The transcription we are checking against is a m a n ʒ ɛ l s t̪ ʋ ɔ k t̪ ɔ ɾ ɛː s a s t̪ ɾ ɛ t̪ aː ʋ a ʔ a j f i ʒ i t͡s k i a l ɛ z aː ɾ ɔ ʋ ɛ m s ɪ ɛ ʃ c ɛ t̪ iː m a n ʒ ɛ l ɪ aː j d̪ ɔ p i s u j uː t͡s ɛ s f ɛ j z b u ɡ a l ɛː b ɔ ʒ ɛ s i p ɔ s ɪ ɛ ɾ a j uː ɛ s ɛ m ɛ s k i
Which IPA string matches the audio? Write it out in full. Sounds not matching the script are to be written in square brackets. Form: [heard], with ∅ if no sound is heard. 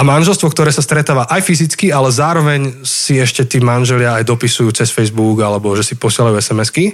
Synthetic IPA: a m a n ʒ ɛ l s t̪ ʋ ɔ k t̪ ɔ ɾ ɛː s a s t̪ ɾ ɛ t̪ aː ʋ a ʔ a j f i [z] i t͡s k i a l ɛ z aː ɾ ɔ ʋ ɛ [ɲ] s [i] ɛ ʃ c ɛ t̪ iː m a n ʒ ɛ l ɪ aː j d̪ ɔ p i s u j uː t͡s ɛ s f ɛ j z b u ɡ a l [ɛ] b ɔ ʒ ɛ s i p ɔ s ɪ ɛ [l] a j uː ɛ s ɛ m ɛ s k i